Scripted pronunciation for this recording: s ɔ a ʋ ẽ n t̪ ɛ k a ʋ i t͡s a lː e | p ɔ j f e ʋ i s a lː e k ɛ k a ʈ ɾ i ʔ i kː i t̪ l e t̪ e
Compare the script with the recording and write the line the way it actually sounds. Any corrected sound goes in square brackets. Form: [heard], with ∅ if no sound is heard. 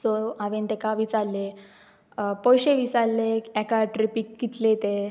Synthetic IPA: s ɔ a ʋ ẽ n t̪ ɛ k a ʋ i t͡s a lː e | p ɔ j [ɕ] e ʋ i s a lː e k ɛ k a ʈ ɾ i [p] i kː i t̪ l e t̪ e